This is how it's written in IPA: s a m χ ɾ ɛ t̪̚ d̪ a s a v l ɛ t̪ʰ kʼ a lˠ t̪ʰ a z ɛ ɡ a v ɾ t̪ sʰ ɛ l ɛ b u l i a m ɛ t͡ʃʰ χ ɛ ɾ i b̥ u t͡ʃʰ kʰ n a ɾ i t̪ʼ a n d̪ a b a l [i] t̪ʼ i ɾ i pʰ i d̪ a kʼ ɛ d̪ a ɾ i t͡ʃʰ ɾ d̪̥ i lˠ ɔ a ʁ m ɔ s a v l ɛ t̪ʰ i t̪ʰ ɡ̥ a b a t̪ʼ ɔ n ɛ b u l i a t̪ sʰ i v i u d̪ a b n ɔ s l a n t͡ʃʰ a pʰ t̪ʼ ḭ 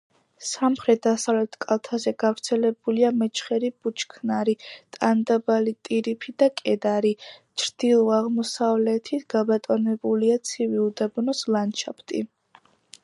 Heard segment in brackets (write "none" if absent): i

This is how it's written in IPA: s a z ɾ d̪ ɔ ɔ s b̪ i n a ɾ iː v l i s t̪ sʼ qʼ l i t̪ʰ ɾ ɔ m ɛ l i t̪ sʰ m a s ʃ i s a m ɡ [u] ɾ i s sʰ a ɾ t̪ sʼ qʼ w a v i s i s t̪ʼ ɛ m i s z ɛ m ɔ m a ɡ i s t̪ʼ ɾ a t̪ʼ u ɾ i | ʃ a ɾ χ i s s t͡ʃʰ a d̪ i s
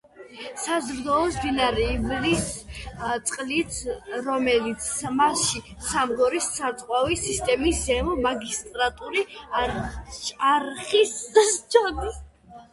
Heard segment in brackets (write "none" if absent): ɔ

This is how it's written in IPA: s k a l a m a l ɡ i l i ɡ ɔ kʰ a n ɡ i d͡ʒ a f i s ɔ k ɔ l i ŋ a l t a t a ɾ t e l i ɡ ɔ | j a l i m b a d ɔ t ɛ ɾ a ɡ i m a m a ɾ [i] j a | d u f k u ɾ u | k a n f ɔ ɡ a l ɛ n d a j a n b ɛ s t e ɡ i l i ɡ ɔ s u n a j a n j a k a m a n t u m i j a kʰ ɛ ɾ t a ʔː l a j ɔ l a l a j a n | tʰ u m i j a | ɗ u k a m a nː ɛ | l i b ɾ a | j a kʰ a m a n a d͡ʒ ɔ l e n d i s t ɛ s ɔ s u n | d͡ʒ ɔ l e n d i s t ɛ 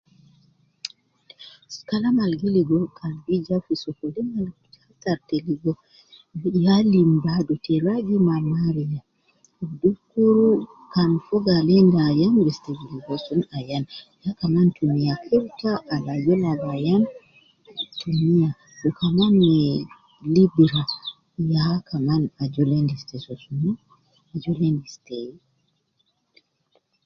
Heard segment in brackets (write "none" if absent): i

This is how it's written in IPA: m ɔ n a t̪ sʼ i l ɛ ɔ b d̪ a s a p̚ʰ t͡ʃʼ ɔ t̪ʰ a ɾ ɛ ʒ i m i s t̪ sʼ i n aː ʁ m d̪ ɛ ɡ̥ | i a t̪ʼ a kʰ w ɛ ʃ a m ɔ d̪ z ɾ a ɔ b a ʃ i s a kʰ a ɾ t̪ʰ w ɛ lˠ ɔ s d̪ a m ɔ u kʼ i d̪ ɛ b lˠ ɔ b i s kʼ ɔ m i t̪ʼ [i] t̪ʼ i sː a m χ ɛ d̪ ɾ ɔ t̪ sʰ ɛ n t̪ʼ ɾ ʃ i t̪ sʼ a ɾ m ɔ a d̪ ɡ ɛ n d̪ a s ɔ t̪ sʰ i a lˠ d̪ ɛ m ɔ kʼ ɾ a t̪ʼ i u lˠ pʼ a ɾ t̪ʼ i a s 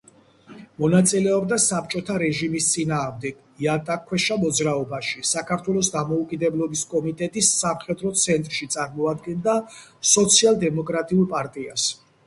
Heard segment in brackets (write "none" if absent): ɛ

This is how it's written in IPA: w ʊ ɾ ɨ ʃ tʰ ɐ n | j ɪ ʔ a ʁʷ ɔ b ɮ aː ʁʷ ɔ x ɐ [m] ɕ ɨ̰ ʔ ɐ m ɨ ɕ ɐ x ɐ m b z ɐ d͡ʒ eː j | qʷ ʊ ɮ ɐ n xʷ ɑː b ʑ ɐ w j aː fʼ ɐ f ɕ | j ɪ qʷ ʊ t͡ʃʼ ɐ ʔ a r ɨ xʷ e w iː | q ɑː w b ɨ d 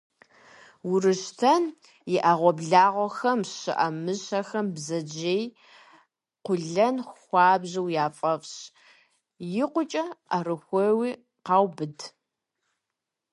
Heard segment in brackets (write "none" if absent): m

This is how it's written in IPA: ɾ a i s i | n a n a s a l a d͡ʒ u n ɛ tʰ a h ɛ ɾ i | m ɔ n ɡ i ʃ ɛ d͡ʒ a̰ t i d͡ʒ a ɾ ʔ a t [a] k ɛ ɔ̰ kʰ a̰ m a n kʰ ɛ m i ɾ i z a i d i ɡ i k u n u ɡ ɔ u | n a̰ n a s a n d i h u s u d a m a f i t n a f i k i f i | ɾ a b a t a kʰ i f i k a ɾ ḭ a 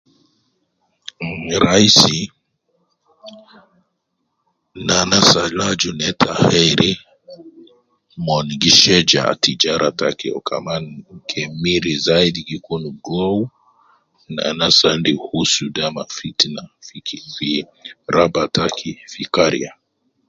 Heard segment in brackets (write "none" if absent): a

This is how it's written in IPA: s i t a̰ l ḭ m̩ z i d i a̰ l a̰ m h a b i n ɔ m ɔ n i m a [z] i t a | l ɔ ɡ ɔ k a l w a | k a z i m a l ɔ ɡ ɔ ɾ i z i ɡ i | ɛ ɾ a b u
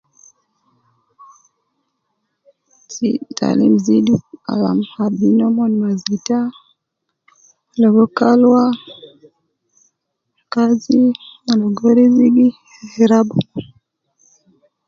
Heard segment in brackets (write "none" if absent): z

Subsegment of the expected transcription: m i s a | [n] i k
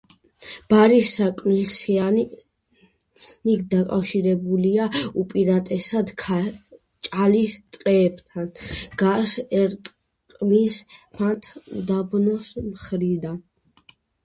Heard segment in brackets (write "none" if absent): n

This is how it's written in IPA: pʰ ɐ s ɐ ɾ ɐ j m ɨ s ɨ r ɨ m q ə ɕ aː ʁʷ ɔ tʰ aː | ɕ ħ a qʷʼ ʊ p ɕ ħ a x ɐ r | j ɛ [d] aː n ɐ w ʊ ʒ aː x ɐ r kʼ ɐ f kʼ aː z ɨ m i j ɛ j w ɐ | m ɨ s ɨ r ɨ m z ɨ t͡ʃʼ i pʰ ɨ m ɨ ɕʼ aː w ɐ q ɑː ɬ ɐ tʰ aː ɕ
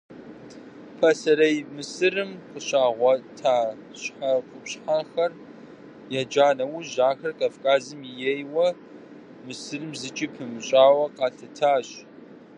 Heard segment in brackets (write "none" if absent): d͡ʒ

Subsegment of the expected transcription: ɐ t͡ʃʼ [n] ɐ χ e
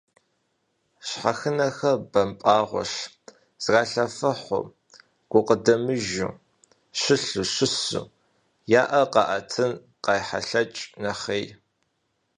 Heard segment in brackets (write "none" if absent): n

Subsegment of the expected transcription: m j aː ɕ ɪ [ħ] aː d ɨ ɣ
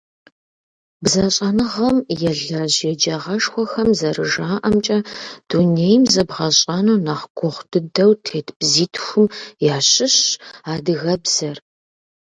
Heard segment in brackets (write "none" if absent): ɕ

